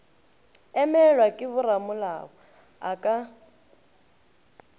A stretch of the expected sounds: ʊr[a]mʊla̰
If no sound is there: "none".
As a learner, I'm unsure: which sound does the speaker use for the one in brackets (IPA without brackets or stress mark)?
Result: a